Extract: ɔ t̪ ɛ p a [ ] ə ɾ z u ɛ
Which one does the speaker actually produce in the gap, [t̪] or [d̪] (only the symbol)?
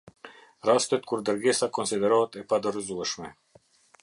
d̪